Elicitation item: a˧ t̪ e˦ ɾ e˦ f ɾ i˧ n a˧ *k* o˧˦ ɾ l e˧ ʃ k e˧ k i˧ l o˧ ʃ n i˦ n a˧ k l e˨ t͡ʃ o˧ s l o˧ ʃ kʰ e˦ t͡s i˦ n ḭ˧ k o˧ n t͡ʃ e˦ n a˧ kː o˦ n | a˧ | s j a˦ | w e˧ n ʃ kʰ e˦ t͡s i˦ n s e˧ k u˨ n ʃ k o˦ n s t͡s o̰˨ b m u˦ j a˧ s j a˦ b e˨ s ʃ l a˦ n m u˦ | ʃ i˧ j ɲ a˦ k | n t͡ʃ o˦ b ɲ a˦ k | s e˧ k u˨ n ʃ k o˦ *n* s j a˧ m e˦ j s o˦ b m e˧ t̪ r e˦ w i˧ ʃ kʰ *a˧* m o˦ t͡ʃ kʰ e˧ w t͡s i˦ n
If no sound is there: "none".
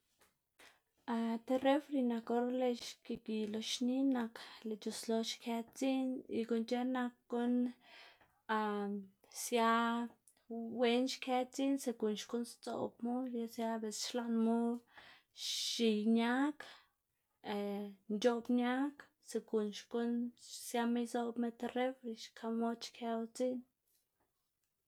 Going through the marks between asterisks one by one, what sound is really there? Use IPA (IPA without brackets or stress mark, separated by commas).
k, n, a˧